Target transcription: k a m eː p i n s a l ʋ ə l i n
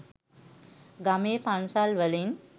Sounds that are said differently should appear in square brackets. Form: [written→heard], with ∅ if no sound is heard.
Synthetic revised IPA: [k→ɡ] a m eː p [i→a] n s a l ʋ ə l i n